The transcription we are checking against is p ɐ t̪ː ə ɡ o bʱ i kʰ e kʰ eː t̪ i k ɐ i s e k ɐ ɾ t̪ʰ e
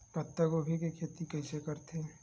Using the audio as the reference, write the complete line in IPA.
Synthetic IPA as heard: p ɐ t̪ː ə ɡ o bʱ i k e kʰ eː t̪ i k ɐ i s e k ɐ ɾ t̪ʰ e